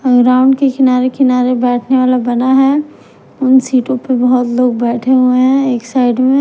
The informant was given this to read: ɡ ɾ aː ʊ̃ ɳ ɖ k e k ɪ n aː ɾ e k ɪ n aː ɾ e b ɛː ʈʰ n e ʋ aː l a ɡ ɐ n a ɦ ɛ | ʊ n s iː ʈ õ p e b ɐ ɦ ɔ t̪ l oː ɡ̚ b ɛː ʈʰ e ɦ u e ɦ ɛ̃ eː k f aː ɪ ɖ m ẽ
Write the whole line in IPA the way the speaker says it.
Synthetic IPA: ɡ ɾ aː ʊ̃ ɳ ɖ k e k ɪ n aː ɾ e k ɪ n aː ɾ e b ɛː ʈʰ n e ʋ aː l a b ɐ n a ɦ ɛ | ʊ n s iː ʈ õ p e b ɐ ɦ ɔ t̪ l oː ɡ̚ b ɛː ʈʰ e ɦ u e ɦ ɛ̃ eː k s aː ɪ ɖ m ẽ